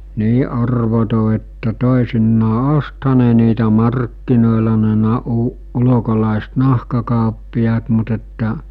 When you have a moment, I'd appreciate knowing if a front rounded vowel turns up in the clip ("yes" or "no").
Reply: no